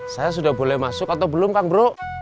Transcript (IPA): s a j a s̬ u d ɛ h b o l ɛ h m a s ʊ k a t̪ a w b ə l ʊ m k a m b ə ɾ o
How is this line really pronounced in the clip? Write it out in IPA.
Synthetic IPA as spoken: s a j a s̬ u d a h b o l ɛ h m a s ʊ k a t̪ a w b ə l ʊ m k a ŋ b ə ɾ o